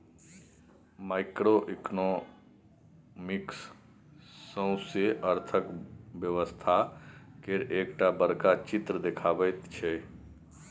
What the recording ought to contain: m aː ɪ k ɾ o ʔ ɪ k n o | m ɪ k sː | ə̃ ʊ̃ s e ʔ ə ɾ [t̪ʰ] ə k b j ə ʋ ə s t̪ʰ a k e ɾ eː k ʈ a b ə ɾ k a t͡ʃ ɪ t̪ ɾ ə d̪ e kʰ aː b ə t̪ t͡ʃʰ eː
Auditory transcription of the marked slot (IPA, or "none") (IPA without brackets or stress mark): t̪ʰ